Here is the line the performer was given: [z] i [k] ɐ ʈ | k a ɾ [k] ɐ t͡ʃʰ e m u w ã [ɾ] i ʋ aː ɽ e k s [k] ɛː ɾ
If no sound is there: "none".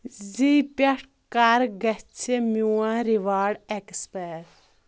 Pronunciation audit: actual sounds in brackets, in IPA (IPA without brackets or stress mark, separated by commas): z, p, ɡ, ɾ, p